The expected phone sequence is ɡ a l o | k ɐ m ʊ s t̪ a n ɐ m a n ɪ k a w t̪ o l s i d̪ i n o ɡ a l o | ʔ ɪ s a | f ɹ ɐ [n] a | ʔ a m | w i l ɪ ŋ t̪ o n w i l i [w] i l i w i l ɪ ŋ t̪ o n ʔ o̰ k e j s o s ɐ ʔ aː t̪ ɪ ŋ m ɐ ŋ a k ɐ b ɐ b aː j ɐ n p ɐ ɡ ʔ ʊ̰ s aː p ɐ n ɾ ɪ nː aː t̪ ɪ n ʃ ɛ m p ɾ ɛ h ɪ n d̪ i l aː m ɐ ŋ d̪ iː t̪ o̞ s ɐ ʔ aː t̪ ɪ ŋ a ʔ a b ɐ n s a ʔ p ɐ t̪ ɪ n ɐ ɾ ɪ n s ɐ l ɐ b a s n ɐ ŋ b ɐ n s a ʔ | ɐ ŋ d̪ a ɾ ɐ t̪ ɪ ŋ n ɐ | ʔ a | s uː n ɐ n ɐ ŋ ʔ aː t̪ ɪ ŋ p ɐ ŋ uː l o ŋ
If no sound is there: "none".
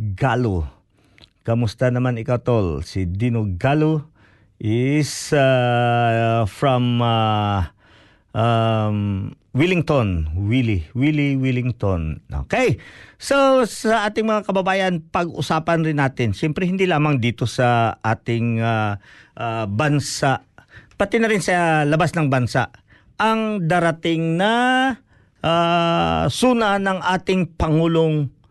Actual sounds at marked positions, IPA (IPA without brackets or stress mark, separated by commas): m, w